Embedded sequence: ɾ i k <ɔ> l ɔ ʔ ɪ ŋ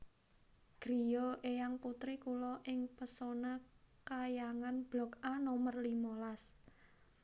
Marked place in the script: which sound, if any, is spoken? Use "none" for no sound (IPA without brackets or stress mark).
u